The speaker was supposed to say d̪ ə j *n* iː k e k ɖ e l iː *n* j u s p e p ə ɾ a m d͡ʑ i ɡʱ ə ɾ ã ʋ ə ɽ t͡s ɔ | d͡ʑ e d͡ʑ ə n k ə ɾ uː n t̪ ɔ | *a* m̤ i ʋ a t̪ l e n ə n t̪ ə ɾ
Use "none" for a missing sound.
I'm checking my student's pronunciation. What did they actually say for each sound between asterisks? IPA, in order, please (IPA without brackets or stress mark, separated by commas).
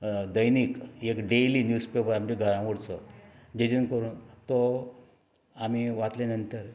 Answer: n, n, a